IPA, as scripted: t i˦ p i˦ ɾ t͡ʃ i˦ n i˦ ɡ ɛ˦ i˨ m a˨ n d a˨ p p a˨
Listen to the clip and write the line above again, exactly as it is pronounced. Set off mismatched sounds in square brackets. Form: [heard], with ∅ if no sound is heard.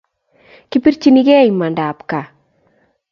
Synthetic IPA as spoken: [k] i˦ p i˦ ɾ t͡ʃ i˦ n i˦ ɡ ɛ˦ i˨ m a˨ n d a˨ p [k] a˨